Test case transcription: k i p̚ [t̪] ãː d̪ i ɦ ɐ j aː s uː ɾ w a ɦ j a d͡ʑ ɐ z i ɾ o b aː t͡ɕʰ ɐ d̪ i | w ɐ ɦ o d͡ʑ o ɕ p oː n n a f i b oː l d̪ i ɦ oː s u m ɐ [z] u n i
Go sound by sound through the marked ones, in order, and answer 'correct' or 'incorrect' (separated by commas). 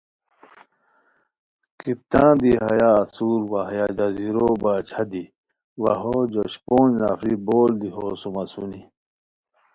correct, incorrect